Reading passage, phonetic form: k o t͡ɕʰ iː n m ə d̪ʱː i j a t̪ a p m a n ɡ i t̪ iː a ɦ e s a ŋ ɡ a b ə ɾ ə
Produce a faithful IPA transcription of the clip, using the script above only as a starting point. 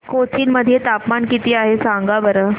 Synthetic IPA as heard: k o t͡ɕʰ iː n m ə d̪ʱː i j e t̪ a p m a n k i t̪ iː a ɦ e s a ŋ ɡ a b ə ɾ ə